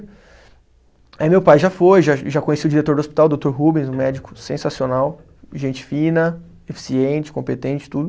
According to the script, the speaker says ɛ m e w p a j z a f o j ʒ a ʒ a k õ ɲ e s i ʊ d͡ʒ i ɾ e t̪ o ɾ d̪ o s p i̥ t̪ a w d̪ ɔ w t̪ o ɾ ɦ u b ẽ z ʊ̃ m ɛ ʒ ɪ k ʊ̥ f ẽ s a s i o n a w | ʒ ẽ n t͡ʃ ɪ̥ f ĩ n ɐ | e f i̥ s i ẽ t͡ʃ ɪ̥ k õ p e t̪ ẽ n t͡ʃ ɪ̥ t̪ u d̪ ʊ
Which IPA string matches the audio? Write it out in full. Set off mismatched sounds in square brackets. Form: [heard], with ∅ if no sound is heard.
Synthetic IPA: ɛ m e w p a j [ʒ] a f o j ʒ a ʒ a k õ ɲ e s i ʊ d͡ʒ i ɾ e t̪ o ɾ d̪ o s p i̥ t̪ a w d̪ [o] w t̪ o ɾ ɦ u b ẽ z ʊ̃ m ɛ [d͡ʒ] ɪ k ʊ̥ [s] ẽ s a s i o n a w | ʒ ẽ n t͡ʃ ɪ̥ f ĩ n ɐ | e f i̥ s i ẽ t͡ʃ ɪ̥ k õ p e t̪ ẽ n t͡ʃ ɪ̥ t̪ u d̪ ʊ